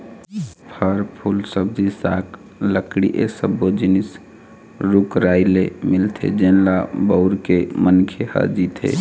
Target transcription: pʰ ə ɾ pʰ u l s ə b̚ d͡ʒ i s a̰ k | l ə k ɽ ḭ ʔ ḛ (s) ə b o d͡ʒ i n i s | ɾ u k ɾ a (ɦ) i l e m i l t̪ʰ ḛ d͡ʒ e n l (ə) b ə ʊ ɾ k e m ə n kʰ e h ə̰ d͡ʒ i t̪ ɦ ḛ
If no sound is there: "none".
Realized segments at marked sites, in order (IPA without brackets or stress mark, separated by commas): s, none, a